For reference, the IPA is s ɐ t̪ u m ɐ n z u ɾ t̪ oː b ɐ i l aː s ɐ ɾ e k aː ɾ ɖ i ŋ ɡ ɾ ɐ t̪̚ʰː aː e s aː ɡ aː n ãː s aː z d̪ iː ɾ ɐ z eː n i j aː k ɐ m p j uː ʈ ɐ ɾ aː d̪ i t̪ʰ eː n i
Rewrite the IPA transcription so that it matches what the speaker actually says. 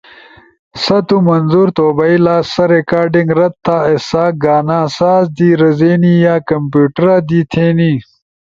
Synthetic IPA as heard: s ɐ t̪ u m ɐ n z u ɾ t̪ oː b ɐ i l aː s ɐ ɾ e k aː ɾ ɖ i ŋ ɡ ɾ ɐ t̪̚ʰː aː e s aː ɡ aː n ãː s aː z d̪ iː ɾ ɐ z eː n i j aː k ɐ m p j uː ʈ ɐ ɾ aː d̪ i t̪ʰ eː n i